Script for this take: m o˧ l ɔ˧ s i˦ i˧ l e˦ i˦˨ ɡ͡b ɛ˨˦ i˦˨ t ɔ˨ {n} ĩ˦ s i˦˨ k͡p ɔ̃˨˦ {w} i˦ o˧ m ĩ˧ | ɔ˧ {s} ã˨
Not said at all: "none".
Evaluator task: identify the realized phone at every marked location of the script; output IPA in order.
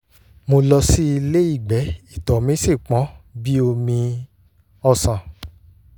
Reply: m, b, s

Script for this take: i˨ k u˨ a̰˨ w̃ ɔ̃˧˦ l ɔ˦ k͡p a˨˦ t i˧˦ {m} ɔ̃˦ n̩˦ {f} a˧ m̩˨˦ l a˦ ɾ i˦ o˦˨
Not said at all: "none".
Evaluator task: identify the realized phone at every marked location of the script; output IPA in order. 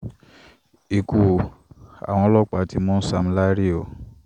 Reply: m, s

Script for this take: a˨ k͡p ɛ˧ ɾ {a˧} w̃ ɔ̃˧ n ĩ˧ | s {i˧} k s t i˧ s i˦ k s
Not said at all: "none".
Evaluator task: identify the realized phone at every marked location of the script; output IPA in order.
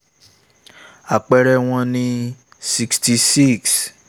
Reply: ɛ˧, i˧

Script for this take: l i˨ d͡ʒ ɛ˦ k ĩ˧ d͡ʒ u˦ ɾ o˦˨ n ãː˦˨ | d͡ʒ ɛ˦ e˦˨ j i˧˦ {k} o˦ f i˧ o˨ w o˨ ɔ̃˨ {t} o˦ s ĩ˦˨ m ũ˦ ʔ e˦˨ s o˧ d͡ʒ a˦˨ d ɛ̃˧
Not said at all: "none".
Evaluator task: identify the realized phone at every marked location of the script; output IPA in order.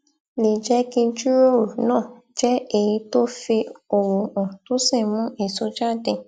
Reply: t, t

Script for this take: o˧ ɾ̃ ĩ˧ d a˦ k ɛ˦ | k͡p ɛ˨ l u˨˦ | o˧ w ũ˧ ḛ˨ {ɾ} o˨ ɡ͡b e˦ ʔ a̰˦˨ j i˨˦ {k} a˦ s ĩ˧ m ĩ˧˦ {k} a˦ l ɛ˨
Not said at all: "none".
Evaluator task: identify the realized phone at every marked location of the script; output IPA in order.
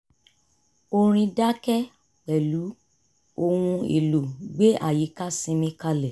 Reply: l, k, k

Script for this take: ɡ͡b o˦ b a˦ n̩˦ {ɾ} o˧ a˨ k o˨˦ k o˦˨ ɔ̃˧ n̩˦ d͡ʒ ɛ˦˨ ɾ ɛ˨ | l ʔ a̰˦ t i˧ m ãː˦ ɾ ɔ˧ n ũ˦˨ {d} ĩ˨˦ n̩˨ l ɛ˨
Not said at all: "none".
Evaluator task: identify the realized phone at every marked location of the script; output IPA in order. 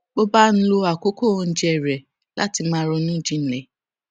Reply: l, d͡ʒ

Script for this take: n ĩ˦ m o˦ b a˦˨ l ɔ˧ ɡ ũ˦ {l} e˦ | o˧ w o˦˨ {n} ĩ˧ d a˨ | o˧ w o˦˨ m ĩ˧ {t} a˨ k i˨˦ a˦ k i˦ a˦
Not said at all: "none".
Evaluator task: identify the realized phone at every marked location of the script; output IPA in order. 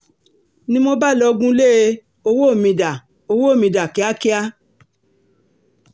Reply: l, m, d

